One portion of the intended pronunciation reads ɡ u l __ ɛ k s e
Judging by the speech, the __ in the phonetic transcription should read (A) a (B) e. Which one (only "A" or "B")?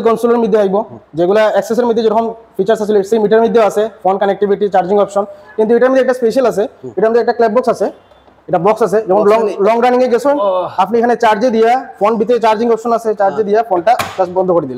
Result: A